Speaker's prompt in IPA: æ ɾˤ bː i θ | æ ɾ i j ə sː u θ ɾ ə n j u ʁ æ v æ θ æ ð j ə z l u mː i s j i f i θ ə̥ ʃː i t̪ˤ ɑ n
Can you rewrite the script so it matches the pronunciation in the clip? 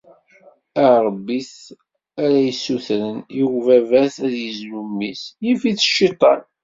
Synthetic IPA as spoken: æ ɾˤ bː i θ | æ ɾ æ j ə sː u θ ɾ ə n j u v æ v æ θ æ ð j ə z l u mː i s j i f i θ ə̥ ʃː i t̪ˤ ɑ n